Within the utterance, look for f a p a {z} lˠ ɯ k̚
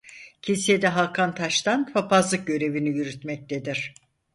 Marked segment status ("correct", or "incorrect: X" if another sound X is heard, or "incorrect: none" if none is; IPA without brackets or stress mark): correct